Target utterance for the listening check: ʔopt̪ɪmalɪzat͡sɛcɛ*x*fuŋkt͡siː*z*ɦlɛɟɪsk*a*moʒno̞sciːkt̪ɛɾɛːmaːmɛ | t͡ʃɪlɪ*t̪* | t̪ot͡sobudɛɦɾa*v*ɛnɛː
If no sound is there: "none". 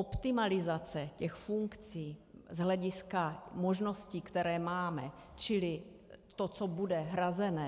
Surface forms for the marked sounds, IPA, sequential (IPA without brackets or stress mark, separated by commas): x, z, a, none, z